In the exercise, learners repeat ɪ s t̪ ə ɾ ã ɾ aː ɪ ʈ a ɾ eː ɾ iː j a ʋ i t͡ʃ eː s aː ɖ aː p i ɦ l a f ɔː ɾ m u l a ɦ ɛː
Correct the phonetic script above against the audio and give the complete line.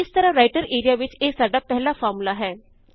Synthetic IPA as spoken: ɪ s t̪ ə ɾ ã ɾ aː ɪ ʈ ə ɾ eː ɾ i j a ʋ ɪ t͡ʃ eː s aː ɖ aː p ɛ ɦ l a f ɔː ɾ m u l a ɦ ɛː